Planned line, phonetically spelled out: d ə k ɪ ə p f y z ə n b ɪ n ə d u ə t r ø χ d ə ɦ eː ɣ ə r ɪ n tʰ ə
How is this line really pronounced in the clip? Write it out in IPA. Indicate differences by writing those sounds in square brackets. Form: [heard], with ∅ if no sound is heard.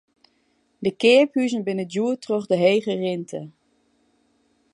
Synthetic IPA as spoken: d ə k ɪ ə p [h] y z ə n b ɪ n ə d u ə t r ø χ d ə ɦ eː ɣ ə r ɪ n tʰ ə